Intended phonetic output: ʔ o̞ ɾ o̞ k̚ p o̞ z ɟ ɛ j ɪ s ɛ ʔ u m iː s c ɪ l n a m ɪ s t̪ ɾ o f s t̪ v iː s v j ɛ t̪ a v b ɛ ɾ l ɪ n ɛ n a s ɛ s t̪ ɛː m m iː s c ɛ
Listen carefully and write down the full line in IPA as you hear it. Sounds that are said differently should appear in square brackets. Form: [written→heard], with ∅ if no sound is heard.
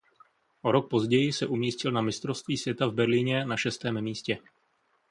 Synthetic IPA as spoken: ʔ o̞ ɾ o̞ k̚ p o̞ z ɟ ɛ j ɪ s ɛ ʔ u m iː s c ɪ l n a m ɪ s t̪ ɾ o f s t̪ v iː s v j ɛ t̪ a v b ɛ ɾ l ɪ [n→ɲ] ɛ n a [s→ʃ] ɛ s t̪ ɛː m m iː s c ɛ